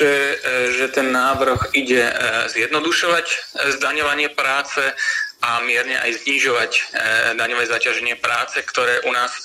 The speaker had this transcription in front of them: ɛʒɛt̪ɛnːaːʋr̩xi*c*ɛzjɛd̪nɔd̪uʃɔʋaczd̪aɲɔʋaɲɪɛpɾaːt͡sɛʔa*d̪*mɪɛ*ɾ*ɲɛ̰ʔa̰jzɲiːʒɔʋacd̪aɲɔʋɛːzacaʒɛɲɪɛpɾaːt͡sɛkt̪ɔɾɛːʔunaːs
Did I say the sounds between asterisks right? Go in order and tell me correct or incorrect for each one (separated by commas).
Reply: incorrect, incorrect, correct